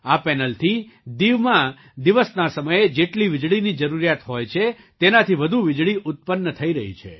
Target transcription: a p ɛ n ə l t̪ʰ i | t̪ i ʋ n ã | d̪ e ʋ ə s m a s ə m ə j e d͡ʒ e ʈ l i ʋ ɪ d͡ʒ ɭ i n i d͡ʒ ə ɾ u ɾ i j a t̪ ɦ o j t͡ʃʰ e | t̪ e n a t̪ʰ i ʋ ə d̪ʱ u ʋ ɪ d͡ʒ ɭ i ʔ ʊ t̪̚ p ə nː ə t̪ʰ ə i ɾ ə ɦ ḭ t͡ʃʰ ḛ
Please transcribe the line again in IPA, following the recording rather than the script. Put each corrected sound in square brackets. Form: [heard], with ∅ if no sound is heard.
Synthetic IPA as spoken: a p ɛ n ə l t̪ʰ i | [d̪] i ʋ [m] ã | d̪ [i] ʋ ə s [n] a s ə m ə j e d͡ʒ e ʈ l i ʋ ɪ d͡ʒ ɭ i n i d͡ʒ ə ɾ u ɾ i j a t̪ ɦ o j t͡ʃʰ e | t̪ e n a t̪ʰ i ʋ ə d̪ʱ u ʋ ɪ d͡ʒ ɭ i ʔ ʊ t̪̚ p ə nː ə t̪ʰ ə i ɾ ə ɦ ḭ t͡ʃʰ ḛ